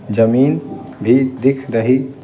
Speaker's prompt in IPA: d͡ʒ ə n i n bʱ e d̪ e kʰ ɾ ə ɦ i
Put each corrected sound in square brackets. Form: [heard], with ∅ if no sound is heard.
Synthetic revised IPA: d͡ʒ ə [m] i n bʱ [i] d̪ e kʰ ɾ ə ɦ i